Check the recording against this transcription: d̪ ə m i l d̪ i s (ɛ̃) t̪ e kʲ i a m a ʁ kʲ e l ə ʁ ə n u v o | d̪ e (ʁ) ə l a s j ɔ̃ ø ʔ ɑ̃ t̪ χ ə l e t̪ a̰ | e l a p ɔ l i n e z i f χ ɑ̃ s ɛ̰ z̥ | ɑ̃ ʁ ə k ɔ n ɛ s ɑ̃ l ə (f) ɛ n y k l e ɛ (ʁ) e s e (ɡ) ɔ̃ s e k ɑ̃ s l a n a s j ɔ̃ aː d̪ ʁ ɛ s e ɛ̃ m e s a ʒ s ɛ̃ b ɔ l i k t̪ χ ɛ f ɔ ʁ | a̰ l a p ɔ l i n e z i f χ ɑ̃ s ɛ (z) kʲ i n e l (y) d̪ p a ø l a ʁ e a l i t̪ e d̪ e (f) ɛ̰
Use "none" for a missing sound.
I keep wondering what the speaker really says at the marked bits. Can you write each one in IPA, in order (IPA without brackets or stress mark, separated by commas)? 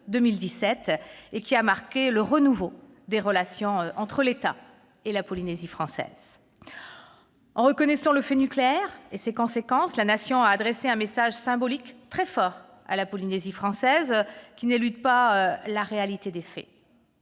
ɛ, ʁ, f, ʁ, k, z, y, f